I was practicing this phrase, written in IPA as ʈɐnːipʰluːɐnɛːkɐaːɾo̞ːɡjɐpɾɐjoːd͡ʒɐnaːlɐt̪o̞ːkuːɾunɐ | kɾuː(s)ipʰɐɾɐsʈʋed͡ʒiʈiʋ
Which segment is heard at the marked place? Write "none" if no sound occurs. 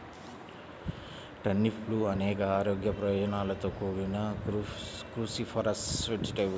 s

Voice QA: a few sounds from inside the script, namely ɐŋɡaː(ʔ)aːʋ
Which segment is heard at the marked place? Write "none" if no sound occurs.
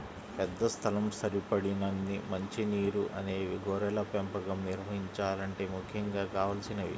k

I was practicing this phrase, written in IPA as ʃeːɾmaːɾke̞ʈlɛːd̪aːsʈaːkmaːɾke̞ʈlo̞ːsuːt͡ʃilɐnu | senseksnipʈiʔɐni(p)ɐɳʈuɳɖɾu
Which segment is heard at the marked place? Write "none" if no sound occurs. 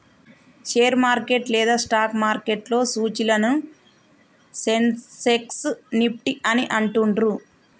ʔ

